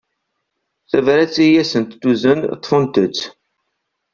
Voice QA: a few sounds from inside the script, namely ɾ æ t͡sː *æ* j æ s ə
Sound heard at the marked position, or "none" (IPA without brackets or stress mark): i